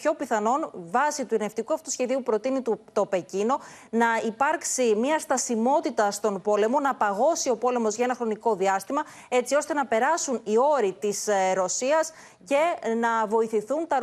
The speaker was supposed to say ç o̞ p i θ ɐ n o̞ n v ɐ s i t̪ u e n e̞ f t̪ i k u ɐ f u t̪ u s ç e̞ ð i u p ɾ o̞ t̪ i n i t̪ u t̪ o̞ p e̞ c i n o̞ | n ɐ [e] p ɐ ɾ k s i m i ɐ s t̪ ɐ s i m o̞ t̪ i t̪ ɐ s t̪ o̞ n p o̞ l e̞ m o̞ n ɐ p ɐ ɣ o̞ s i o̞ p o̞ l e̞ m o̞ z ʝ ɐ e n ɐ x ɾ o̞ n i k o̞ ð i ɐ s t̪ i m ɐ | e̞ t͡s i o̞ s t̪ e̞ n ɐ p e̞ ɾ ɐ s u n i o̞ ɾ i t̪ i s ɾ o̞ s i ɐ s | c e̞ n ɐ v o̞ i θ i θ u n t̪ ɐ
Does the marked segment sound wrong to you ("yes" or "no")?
yes